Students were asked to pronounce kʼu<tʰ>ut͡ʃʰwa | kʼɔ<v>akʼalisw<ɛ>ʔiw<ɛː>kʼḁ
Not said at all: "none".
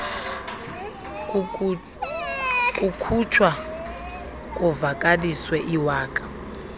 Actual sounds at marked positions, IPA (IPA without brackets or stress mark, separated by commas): kʰ, v, ɛ, aː